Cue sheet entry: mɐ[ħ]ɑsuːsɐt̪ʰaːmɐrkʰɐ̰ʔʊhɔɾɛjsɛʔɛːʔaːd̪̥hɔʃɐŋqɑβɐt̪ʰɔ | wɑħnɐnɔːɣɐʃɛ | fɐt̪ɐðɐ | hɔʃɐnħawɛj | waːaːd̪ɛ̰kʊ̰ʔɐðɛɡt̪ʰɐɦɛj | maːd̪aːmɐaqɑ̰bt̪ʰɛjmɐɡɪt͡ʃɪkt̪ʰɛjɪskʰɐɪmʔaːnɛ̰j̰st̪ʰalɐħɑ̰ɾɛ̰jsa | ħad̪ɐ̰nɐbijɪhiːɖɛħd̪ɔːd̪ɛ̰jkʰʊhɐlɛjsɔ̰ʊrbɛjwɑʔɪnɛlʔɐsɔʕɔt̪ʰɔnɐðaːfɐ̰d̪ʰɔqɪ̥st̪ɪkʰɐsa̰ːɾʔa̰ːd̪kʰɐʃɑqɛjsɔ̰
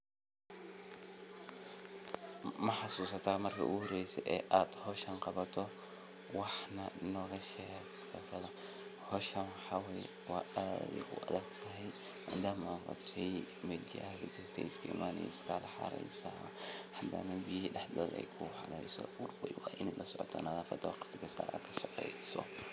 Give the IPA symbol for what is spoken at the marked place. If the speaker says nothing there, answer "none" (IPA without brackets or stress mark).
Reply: ħ